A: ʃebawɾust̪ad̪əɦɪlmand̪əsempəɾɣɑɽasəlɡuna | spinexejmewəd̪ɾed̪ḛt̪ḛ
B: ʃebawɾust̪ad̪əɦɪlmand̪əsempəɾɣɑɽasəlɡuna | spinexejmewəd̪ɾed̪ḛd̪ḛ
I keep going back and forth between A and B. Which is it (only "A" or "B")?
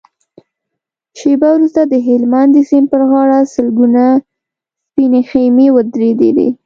B